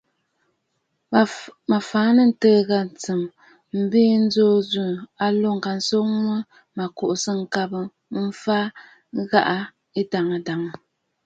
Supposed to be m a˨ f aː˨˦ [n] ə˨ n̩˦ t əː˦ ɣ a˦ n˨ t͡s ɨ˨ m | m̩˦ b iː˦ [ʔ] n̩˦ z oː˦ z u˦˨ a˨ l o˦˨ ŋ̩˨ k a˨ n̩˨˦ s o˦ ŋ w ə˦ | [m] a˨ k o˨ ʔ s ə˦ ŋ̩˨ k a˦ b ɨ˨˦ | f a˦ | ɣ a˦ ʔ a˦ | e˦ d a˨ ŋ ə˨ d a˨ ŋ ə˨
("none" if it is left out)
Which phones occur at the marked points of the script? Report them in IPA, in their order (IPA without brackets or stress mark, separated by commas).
n, none, m